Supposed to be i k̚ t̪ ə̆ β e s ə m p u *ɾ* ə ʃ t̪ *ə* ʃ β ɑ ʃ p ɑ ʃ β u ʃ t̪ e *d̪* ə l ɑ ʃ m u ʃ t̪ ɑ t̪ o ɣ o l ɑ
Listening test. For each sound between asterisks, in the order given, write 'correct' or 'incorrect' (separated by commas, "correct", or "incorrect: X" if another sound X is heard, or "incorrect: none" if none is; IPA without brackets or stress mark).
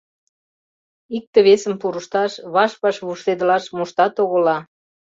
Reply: correct, incorrect: ɑ, correct